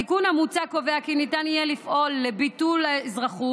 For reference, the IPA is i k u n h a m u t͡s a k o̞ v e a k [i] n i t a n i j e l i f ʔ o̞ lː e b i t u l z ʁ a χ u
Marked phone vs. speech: correct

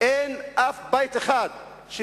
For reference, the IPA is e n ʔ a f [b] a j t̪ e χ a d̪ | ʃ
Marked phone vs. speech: correct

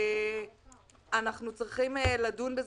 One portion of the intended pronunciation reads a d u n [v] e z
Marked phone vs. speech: incorrect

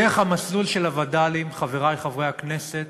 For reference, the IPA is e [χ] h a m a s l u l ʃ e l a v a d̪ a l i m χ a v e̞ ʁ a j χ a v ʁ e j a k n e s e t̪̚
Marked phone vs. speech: correct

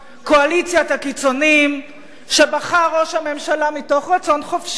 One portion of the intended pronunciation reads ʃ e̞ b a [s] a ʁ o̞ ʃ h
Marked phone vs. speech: incorrect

